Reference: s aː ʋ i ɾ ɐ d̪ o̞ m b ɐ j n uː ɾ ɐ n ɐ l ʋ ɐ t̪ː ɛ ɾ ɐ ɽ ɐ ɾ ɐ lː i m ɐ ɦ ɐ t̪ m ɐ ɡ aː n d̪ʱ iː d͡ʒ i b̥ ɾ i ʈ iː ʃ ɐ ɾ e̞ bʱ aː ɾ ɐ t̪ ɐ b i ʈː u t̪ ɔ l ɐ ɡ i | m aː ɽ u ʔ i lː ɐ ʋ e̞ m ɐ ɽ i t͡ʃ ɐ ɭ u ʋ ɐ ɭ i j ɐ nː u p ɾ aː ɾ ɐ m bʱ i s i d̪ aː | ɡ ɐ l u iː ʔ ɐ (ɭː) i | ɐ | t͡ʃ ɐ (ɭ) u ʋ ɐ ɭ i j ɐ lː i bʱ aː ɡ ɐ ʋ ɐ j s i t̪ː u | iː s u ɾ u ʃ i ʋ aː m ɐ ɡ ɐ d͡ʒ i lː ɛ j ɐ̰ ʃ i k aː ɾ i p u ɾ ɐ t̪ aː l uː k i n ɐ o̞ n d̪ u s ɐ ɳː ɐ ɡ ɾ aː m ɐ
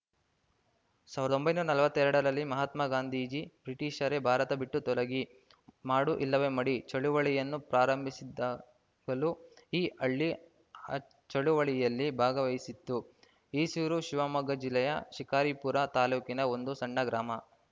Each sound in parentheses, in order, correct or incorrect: correct, correct

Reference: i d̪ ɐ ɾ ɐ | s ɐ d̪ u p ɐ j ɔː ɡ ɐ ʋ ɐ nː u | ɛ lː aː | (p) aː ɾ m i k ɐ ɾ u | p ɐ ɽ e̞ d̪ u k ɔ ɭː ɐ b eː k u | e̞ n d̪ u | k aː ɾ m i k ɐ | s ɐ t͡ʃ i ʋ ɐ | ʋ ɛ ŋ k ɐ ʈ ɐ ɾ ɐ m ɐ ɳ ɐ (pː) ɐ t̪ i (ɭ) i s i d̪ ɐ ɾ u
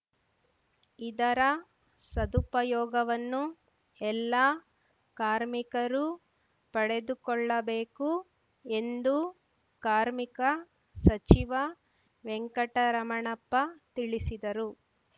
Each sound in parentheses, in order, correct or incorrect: incorrect, correct, correct

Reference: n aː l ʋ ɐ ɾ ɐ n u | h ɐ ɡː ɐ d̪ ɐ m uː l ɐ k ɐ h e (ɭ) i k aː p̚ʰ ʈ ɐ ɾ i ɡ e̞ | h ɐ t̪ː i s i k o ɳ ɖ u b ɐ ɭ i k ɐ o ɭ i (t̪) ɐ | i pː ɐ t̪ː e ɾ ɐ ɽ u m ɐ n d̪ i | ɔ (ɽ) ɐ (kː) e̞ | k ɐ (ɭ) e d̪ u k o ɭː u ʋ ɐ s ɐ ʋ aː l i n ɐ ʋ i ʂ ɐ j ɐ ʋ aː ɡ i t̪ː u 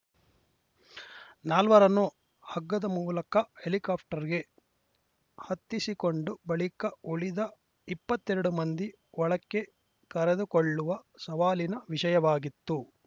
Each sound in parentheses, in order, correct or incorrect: incorrect, incorrect, incorrect, correct, incorrect

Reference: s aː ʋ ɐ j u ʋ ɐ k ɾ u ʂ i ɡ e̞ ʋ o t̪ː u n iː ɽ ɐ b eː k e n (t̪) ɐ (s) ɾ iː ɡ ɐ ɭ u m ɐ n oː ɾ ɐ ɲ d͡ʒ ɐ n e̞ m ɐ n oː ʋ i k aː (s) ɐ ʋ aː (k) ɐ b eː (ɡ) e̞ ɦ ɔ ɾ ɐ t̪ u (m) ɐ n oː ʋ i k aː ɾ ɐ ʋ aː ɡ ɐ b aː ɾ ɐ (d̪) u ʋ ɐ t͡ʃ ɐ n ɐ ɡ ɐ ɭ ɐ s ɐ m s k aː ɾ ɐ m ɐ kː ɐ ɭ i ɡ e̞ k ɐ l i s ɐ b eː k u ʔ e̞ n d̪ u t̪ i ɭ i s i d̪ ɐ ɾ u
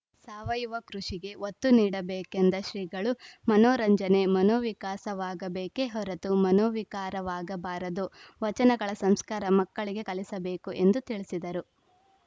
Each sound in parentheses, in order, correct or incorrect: incorrect, incorrect, correct, incorrect, incorrect, correct, correct

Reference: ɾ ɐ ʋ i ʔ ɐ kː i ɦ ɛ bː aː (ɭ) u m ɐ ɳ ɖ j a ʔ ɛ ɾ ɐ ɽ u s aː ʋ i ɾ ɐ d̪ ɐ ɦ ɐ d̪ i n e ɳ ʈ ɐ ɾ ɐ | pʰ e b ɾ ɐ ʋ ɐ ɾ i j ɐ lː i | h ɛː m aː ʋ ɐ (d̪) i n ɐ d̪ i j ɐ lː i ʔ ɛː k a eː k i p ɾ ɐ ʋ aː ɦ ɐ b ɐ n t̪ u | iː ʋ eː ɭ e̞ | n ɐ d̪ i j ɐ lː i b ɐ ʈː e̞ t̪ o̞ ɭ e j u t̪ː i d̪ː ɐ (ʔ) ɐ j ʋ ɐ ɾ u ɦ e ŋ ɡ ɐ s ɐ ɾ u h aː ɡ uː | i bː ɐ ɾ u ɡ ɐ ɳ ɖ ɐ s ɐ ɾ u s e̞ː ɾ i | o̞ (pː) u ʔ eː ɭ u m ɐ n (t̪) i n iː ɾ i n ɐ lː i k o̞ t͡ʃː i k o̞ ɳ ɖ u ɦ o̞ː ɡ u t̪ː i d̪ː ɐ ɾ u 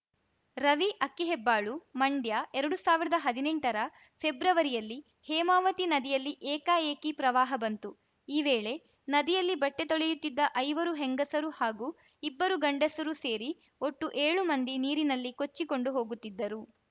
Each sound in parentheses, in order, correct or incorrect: correct, incorrect, correct, incorrect, incorrect

